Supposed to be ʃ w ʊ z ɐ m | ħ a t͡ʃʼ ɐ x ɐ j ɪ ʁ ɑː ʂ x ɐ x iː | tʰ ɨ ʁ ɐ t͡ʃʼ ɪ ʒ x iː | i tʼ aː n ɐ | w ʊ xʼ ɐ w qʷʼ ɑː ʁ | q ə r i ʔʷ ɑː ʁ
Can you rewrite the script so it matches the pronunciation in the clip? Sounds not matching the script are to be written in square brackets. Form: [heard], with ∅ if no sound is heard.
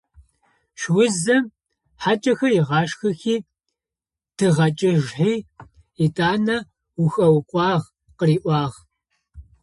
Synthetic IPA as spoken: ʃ w ʊ z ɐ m | ħ a t͡ʃʼ ɐ x ɐ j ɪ ʁ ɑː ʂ x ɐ x iː | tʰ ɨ ʁ ɐ t͡ʃʼ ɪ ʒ [ħ] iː | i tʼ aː n ɐ | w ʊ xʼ ɐ w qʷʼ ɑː ʁ | q ə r [iː] ʔʷ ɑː ʁ